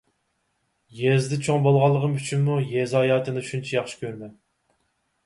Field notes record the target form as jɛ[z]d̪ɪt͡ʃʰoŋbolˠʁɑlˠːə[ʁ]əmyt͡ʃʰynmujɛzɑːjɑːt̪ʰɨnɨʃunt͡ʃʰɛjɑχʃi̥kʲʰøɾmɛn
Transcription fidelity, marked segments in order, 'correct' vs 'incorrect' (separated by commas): correct, correct